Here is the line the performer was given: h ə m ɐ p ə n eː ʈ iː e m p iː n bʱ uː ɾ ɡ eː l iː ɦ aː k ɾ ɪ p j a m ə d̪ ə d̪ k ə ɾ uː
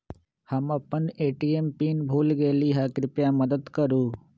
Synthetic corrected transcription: h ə m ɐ p ə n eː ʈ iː e m p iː n bʱ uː l ɡ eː l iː ɦ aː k ɾ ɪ p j a m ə d̪ ə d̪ k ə ɾ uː